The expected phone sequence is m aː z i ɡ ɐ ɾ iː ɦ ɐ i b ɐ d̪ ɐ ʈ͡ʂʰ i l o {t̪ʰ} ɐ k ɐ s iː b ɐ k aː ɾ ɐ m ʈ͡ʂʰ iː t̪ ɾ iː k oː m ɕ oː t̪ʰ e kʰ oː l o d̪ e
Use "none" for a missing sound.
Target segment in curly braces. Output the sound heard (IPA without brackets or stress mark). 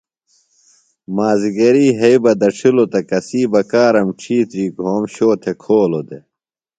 t̪